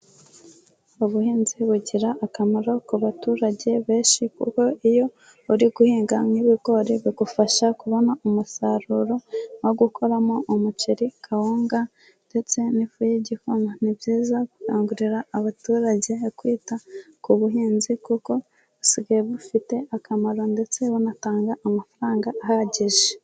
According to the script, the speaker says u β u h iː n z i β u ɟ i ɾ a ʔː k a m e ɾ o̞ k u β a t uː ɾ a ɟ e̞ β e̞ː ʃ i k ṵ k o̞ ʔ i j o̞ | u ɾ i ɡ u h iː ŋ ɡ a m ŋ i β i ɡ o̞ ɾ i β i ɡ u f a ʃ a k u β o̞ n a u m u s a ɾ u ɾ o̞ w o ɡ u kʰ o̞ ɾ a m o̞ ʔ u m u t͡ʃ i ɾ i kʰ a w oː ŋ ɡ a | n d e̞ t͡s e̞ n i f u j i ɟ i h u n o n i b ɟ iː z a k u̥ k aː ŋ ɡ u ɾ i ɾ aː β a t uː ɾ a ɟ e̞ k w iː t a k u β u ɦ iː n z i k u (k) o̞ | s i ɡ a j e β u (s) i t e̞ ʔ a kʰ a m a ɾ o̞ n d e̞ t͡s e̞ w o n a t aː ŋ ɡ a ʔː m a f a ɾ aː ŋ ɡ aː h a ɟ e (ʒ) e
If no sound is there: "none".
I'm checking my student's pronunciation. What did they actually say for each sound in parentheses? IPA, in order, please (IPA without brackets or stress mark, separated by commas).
k, f, ʒ